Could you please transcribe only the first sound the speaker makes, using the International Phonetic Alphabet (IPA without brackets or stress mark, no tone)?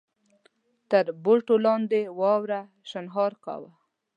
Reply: t̪